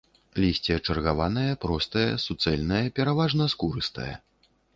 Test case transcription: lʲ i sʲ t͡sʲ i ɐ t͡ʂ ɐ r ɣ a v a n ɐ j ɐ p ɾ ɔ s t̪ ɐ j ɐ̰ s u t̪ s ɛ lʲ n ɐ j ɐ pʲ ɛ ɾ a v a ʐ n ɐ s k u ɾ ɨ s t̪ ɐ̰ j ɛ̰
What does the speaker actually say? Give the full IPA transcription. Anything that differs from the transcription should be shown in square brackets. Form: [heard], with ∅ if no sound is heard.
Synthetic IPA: lʲ i sʲ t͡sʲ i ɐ t͡ʂ ɐ r ɣ a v a n ɐ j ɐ p ɾ ɔ s t̪ ɐ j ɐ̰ s u t̪ s ɛ lʲ n ɐ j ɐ pʲ ɛ ɾ a v a ʐ n ɐ s k u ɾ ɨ s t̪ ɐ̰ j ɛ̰